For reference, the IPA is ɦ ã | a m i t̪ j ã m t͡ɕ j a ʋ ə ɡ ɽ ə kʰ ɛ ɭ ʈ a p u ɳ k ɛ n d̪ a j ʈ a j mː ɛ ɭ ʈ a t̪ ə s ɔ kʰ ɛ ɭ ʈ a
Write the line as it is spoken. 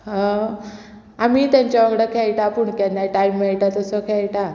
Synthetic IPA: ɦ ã | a m i t̪ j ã ɲ t͡ɕ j a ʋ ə ɡ ɽ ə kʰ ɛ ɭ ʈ a p u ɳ k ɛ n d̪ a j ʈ a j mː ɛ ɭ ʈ a t̪ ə s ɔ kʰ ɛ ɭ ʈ a